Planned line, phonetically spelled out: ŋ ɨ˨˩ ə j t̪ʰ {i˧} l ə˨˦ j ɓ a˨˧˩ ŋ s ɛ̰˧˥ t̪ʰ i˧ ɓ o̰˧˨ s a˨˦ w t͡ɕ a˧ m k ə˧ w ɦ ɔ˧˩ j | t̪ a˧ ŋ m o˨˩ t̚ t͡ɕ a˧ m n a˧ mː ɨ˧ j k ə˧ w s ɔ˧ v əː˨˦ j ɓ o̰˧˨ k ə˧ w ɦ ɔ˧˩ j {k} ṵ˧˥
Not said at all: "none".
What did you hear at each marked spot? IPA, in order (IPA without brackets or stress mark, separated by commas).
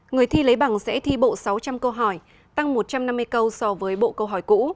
i˧, k